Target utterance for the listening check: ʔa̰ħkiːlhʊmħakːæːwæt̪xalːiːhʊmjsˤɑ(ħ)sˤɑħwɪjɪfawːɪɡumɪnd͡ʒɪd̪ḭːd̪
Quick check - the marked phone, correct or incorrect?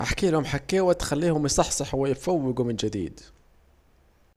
correct